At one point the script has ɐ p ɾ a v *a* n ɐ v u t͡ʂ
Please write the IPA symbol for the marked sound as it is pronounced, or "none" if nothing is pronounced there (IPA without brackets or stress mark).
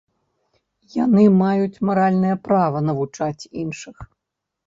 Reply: ɐ